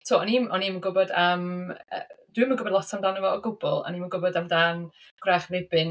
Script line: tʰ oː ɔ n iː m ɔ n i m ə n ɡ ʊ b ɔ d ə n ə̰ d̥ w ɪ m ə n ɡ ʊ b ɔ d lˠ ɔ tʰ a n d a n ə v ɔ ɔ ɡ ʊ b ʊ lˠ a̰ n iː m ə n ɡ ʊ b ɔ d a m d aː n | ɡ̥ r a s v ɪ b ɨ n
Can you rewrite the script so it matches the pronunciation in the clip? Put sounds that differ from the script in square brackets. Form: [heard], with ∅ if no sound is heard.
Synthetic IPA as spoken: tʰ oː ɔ n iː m ɔ n i m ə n ɡ ʊ b ɔ d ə [m] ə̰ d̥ w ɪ m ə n ɡ ʊ b ɔ d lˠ ɔ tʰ a [m] d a n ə v ɔ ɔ ɡ ʊ b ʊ lˠ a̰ n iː m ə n ɡ ʊ b ɔ d a m d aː n | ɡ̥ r a [χ] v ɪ b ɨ n